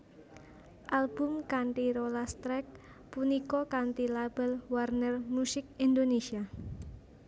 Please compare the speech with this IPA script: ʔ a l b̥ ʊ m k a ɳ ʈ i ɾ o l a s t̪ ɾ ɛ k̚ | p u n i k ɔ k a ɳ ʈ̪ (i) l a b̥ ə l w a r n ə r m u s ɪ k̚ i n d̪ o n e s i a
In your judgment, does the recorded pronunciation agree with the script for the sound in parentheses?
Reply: yes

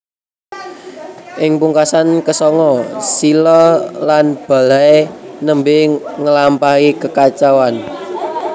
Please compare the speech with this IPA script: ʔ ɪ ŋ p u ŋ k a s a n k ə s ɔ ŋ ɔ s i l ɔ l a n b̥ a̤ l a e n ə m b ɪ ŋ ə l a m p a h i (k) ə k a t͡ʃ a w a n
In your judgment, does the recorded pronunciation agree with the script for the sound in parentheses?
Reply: yes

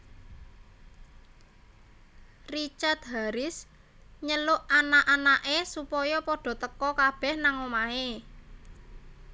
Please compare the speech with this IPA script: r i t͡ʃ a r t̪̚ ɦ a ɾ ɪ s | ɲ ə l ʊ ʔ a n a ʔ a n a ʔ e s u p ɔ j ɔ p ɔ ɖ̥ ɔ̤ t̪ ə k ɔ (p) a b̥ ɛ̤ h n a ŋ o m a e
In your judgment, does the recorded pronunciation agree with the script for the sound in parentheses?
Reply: no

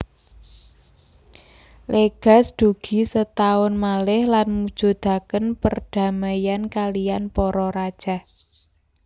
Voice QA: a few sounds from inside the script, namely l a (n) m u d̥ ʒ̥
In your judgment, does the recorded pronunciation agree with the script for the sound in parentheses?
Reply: yes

